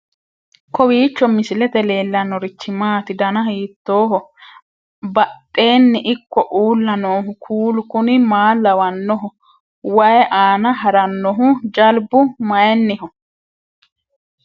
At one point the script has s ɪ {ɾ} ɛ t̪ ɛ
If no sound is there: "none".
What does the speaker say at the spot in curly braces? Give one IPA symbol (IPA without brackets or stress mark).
l